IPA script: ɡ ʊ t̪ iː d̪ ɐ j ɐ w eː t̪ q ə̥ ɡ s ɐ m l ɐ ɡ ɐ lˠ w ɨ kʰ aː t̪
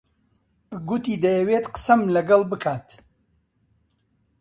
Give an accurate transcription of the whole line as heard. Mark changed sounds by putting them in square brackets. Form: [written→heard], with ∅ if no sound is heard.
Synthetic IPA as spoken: ɡ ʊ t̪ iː d̪ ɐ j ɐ w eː t̪ q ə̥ [ɡ→∅] s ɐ m l ɐ ɡ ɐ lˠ [w→b] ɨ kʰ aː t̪